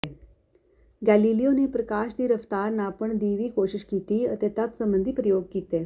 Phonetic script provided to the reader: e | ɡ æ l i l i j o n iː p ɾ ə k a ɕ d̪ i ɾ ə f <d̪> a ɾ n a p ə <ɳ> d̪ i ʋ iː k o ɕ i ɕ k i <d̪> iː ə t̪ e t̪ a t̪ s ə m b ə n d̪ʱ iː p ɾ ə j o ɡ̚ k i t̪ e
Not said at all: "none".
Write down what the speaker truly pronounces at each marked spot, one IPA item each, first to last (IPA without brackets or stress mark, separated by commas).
t̪, ɳ, t̪